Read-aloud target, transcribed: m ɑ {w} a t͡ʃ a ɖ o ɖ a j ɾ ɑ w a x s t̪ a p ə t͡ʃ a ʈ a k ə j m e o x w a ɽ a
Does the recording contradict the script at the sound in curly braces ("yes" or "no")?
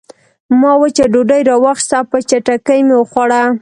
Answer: no